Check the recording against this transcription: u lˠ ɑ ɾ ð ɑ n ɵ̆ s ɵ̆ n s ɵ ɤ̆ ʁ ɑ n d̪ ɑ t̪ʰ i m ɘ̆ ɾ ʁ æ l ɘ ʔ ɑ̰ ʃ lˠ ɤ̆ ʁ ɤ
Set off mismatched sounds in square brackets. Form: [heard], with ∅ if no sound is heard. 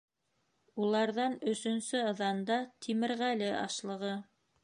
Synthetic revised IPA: u lˠ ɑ ɾ ð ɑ n ɵ̆ s ɵ̆ n s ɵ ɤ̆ [ð] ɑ n d̪ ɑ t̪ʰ i m ɘ̆ ɾ ʁ æ l ɘ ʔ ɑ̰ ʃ lˠ ɤ̆ ʁ ɤ